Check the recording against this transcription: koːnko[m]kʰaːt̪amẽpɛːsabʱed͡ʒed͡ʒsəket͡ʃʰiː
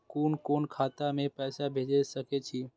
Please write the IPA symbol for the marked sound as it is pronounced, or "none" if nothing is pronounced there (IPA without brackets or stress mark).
n